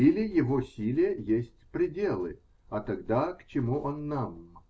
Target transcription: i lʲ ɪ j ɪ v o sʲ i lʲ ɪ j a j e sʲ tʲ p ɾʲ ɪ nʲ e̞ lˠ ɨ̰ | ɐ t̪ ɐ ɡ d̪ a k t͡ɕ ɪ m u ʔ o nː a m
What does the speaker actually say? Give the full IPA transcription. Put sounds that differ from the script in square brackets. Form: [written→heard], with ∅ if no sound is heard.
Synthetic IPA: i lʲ ɪ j ɪ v o sʲ i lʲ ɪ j [a→ə] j e sʲ tʲ p ɾʲ ɪ [nʲ→dʲ] e̞ lˠ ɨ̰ | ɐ t̪ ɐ ɡ d̪ a k t͡ɕ ɪ m u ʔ o nː a m